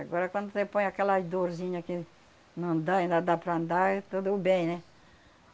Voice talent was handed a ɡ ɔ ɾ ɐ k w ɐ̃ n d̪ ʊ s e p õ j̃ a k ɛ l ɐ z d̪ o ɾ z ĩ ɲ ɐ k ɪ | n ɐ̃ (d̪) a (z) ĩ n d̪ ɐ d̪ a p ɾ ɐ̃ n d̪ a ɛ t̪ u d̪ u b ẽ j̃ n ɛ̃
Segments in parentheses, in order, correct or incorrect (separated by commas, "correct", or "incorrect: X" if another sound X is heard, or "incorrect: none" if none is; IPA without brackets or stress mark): correct, incorrect: none